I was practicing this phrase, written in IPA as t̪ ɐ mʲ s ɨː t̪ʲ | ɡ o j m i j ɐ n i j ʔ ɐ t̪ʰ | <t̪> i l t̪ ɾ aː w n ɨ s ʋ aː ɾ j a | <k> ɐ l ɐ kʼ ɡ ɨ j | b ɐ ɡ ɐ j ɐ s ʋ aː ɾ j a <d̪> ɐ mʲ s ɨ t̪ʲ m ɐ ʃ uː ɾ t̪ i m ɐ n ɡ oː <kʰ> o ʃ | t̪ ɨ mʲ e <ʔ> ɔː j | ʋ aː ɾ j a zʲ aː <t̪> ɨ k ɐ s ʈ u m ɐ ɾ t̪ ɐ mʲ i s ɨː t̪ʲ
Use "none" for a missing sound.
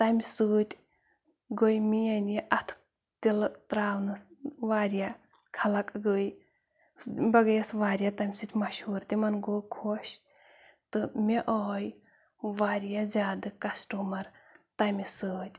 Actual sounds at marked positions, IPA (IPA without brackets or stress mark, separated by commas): t̪, kʰ, t̪, kʰ, ʔ, d̪